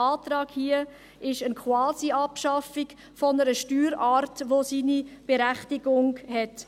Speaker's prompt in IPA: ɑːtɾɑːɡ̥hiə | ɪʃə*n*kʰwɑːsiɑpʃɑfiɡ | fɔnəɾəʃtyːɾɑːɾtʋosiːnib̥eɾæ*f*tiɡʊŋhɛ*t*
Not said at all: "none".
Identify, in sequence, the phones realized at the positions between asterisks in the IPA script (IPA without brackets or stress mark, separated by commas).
n, χ, t